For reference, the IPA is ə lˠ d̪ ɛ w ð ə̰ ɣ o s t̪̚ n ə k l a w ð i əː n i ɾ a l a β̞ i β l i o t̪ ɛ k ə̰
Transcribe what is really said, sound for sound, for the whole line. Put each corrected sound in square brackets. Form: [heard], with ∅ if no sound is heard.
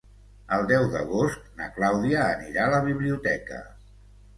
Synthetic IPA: ə lˠ d̪ ɛ w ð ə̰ ɣ o s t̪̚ n ə k l a w ð i əː n i ɾ a l [ə] β̞ i β l i [u] t̪ ɛ k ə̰